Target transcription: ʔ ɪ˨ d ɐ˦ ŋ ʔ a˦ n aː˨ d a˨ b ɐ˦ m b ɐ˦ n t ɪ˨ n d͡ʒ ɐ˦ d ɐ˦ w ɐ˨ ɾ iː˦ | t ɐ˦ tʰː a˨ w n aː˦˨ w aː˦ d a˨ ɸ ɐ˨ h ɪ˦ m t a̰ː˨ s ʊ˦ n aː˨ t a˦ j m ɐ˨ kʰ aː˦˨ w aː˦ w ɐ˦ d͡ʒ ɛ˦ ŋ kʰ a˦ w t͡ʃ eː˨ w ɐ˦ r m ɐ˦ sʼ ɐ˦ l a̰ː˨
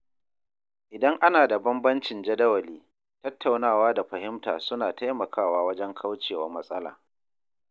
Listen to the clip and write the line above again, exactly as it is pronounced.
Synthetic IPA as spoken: ʔ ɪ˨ d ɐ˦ ŋ ʔ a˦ n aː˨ d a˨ b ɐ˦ m b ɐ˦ n t͡ʃ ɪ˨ n d͡ʒ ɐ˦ d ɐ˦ w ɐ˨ l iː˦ | t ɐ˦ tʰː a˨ w n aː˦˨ w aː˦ d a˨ ɸ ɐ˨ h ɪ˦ m t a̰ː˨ s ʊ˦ n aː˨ t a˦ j m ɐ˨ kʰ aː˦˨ w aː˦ w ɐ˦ d͡ʒ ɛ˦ ŋ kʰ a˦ w t͡ʃ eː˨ w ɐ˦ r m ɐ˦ sʼ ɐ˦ l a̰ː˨